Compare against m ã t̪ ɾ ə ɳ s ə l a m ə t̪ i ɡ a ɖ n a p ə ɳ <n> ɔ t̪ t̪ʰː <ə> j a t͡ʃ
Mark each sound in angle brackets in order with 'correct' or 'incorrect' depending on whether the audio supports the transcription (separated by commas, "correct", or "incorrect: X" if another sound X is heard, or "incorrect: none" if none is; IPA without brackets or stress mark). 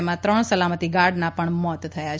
incorrect: m, correct